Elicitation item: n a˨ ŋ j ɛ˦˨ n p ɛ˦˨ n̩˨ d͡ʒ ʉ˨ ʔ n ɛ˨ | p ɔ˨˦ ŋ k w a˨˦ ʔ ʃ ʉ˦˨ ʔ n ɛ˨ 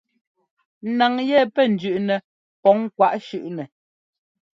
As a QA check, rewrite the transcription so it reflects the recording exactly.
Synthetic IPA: n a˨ ŋ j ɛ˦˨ p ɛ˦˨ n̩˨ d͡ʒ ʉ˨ ʔ n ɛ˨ | p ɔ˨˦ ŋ k w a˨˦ ʔ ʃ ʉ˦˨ ʔ n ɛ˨